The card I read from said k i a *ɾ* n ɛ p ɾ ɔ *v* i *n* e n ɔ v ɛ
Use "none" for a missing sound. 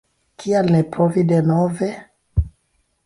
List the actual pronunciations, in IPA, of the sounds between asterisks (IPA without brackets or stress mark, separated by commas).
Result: l, v, d